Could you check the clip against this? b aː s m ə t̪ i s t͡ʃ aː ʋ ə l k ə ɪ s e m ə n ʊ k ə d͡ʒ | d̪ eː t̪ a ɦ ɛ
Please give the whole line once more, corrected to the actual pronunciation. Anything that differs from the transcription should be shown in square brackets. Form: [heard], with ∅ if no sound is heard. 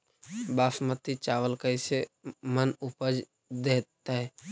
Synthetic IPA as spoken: b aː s m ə t̪ i [∅] t͡ʃ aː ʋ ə l k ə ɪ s e m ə n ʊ [p] ə d͡ʒ | d̪ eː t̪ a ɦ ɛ